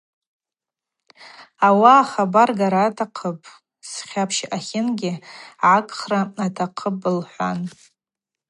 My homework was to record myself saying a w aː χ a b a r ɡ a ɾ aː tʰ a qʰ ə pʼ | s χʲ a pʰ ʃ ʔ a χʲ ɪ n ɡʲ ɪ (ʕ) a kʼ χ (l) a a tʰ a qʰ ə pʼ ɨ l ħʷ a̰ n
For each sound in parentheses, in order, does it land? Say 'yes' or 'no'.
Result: yes, no

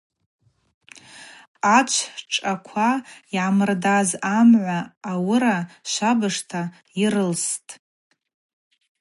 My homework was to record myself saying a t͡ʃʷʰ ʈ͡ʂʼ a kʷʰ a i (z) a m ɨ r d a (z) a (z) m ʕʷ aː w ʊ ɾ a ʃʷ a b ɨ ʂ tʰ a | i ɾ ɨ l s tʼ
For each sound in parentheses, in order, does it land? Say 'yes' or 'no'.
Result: no, yes, no

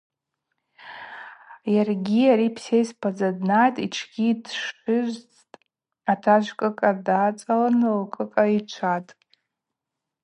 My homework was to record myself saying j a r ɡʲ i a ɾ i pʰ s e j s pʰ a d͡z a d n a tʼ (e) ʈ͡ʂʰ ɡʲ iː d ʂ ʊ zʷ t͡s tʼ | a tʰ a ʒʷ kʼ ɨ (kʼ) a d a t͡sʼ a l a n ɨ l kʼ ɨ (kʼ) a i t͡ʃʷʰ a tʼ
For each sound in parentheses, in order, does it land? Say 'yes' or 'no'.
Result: no, yes, yes

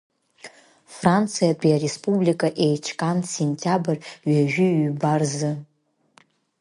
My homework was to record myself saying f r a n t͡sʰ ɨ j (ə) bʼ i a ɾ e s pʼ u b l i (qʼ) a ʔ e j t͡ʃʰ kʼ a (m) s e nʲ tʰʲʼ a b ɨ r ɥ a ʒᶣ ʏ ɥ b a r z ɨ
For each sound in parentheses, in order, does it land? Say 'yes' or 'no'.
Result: no, no, no

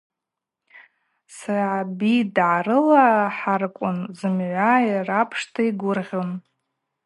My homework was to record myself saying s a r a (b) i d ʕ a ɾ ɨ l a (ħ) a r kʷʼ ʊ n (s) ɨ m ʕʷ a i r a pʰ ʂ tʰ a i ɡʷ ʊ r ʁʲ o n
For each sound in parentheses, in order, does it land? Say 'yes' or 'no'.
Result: yes, yes, no

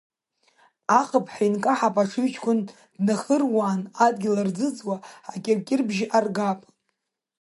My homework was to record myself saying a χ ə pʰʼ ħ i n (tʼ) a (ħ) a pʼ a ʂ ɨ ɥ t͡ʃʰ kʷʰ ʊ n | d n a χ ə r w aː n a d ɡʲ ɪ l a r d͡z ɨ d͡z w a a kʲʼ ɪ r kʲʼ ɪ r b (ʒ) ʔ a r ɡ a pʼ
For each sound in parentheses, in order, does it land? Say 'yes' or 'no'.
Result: no, yes, yes

